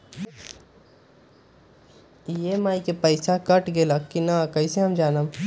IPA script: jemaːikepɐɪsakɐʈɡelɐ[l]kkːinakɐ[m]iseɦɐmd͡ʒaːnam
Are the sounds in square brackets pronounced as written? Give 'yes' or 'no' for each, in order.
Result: no, no

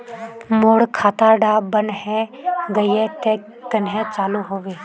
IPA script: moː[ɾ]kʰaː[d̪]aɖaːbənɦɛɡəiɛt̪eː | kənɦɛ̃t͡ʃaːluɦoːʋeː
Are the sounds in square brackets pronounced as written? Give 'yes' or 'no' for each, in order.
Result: no, no

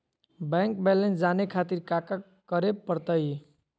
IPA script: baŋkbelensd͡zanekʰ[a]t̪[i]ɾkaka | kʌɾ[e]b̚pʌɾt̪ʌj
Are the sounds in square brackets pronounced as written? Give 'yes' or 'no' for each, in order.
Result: yes, yes, yes

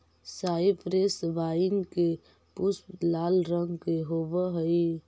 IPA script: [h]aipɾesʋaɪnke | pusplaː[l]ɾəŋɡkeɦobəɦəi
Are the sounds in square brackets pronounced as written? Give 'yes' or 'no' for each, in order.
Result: no, yes

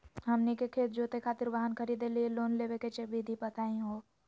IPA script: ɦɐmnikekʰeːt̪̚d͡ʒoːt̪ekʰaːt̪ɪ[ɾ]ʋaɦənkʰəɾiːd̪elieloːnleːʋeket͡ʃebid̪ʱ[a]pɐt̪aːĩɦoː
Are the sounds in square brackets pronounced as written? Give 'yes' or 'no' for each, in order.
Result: yes, no

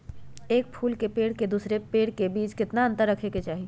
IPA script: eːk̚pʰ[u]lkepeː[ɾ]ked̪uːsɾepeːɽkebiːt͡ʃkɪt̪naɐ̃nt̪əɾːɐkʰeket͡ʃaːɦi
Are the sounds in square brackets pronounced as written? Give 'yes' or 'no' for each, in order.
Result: no, no

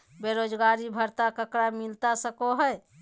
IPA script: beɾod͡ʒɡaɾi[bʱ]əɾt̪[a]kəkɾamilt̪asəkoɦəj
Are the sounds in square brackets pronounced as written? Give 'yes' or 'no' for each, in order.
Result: yes, yes

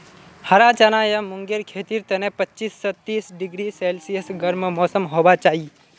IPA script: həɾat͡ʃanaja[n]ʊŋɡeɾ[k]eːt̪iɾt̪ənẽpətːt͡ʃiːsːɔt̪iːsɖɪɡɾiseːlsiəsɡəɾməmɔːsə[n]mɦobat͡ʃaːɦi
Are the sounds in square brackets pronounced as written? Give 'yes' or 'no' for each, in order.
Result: no, no, no

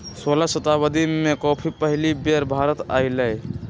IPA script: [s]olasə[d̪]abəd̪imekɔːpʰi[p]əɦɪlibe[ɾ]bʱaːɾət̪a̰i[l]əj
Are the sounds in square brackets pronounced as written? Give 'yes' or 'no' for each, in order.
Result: yes, no, yes, yes, yes

